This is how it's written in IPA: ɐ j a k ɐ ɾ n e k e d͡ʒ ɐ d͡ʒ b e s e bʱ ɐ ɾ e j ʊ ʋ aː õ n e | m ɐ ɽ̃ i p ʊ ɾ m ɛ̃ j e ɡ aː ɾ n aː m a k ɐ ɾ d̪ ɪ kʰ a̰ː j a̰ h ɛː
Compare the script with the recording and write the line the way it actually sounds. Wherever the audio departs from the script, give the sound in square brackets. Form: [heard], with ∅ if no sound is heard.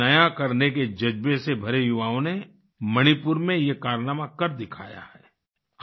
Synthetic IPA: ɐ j a k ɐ ɾ n e k e d͡ʒ ɐ d͡ʒ b e s e bʱ ɐ ɾ e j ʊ ʋ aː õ n e | m ɐ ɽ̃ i p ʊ ɾ m [ẽ] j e [k] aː ɾ n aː m a k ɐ ɾ d̪ ɪ kʰ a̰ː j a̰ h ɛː